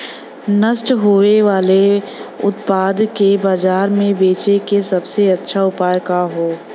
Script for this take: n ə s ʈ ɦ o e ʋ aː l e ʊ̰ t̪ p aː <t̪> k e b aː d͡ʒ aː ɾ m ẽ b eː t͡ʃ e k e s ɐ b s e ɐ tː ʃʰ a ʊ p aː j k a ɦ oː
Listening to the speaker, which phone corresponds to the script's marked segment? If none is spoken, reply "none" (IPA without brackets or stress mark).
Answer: d̪